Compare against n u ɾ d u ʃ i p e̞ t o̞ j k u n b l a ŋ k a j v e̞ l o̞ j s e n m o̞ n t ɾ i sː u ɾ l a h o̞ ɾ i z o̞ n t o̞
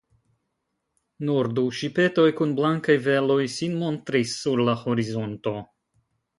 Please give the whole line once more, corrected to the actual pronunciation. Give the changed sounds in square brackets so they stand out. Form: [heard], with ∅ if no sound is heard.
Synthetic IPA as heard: n u ɾ d u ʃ i p e̞ t o̞ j k u n b l a ŋ k a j v e̞ l o̞ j s [i] n m o̞ n t ɾ i sː u ɾ l a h o̞ ɾ i z o̞ n t o̞